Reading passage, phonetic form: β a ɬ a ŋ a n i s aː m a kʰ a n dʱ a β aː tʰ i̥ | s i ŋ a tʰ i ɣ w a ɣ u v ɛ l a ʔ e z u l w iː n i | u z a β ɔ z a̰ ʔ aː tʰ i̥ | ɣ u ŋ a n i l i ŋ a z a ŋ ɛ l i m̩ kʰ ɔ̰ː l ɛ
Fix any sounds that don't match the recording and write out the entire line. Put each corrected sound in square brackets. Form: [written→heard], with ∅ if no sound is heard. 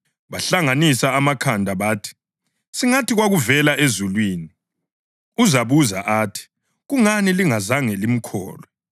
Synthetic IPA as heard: β a ɬ a ŋ a n i s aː m a kʰ a n dʱ a β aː tʰ i̥ | s i ŋ a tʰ i ɣ w a ɣ u v ɛ l a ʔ e z u l w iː n i | u z a β [ɔ→u] z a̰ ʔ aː tʰ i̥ | ɣ u ŋ a n i l i ŋ a z a ŋ ɛ l i m̩ kʰ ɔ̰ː l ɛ